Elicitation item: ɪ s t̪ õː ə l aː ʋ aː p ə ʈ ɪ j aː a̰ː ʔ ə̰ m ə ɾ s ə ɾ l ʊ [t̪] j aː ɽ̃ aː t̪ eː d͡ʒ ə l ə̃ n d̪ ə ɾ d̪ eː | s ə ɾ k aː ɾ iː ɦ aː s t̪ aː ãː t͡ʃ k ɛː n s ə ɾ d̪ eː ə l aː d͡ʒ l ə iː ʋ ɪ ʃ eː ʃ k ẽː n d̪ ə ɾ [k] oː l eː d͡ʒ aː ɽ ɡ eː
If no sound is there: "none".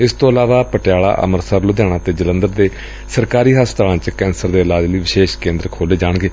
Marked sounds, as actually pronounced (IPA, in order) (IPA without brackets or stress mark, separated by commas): d̪, kʰ